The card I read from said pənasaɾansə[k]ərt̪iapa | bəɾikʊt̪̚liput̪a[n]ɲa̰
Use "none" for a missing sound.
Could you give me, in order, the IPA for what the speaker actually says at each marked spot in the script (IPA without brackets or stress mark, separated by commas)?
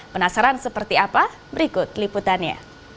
p, n